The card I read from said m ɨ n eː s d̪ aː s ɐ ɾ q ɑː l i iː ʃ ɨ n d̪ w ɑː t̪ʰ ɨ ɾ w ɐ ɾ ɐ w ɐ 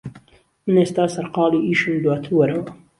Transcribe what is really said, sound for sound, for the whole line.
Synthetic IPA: m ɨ n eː s t̪ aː s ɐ ɾ q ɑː l i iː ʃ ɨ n d̪ w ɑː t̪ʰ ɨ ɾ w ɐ ɾ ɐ w ɐ